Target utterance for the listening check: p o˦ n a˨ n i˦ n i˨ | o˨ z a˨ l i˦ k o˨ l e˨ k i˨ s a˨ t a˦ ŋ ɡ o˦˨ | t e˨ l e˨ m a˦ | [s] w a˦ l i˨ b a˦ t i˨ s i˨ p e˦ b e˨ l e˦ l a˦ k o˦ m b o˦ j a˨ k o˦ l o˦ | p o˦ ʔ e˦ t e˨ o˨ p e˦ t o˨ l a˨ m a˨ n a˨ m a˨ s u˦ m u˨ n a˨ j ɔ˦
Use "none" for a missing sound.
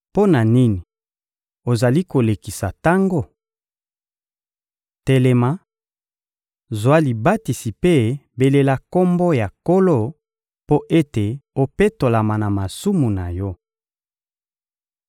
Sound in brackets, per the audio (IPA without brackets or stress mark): z